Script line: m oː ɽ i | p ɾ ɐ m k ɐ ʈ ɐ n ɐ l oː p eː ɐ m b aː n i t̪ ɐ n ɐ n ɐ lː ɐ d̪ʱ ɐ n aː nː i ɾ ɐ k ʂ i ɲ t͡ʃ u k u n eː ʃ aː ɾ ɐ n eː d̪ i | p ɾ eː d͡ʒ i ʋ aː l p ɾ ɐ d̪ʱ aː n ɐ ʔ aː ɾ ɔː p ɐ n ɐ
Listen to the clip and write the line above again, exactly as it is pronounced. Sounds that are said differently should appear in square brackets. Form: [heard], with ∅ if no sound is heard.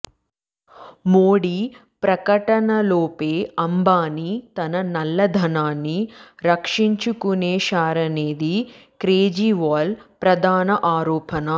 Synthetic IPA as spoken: m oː ɽ i | p ɾ ɐ [∅] k ɐ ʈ ɐ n ɐ l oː p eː ɐ m b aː n i t̪ ɐ n ɐ n ɐ lː ɐ d̪ʱ ɐ n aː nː i ɾ ɐ k ʂ i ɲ t͡ʃ u k u n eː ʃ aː ɾ ɐ n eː d̪ i | [k] ɾ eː d͡ʒ i ʋ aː l p ɾ ɐ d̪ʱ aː n ɐ ʔ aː ɾ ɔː p ɐ n ɐ